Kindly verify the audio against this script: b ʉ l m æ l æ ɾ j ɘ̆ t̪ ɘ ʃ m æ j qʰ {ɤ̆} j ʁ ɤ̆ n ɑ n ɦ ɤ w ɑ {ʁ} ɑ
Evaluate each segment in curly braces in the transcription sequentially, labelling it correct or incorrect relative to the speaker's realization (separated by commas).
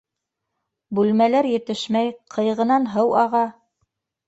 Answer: correct, correct